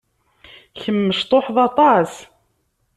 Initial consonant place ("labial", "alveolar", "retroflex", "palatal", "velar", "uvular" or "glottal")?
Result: palatal